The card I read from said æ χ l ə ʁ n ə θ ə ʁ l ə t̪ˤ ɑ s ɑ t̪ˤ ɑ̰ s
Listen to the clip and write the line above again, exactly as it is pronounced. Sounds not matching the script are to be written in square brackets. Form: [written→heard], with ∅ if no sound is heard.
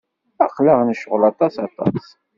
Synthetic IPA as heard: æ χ l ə ʁ n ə [θ→ʃ] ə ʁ l [ə→ɑ] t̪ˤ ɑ s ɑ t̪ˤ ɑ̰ s